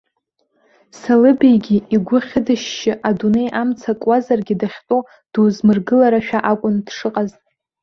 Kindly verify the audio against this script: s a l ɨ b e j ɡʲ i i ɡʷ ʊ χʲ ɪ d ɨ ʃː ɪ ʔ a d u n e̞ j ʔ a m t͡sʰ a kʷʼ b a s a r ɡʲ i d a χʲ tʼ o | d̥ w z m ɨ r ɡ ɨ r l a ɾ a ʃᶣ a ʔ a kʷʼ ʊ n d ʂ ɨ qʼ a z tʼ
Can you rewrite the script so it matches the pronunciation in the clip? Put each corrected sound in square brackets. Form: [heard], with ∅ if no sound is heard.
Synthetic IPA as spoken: s a l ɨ b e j ɡʲ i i ɡʷ ʊ χʲ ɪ d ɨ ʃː ɪ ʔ a d u n e̞ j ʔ a m t͡sʰ a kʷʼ [w] a [z] a r ɡʲ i d a χʲ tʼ o | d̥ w z m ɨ r ɡ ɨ [∅] l a ɾ a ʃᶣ a ʔ a kʷʼ ʊ n d ʂ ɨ qʼ a z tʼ